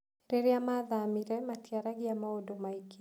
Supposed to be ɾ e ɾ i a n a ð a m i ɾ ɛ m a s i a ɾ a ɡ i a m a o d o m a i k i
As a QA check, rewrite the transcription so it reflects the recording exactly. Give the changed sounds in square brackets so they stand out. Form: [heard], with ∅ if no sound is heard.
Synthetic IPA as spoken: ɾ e ɾ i a [m] a ð a m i ɾ ɛ m a [t] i a ɾ a ɡ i a m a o d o m a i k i